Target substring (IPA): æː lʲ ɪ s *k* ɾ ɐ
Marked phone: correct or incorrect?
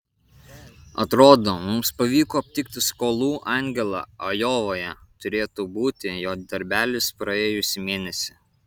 incorrect